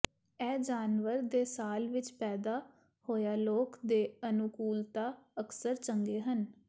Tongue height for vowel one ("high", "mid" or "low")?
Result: mid